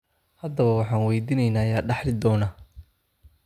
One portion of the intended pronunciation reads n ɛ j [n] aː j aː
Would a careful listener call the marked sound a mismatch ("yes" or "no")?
no